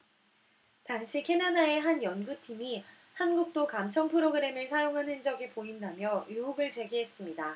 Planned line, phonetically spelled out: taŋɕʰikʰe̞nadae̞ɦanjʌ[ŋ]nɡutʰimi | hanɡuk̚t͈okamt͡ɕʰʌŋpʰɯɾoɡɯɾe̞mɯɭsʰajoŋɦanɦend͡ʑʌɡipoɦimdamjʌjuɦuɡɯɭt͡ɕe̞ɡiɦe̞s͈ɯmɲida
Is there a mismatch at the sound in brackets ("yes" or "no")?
yes